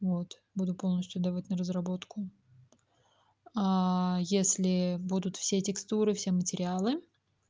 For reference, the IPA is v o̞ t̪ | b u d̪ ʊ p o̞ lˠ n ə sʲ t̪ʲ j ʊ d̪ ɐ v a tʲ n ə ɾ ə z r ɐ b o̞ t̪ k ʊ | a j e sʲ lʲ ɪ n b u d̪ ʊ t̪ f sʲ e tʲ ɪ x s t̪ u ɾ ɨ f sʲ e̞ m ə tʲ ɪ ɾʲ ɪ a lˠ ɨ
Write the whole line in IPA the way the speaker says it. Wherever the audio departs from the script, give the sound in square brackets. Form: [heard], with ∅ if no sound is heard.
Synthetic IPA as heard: v o̞ t̪ | b u d̪ ʊ p o̞ lˠ n ə sʲ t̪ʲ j ʊ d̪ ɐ v a tʲ n ə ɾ ə z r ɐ b o̞ t̪ k ʊ | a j e sʲ lʲ ɪ [∅] b u d̪ ʊ t̪ f sʲ e tʲ ɪ [k] s t̪ u ɾ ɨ f sʲ e̞ m ə tʲ ɪ ɾʲ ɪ a lˠ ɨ